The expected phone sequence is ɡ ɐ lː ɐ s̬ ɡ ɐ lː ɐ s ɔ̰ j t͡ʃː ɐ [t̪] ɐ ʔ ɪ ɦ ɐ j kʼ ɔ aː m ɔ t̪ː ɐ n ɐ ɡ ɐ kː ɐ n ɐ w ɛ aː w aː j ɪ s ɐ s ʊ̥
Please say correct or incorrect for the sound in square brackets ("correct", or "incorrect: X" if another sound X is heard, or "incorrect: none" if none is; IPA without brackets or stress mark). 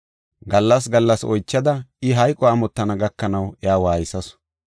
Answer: incorrect: d̪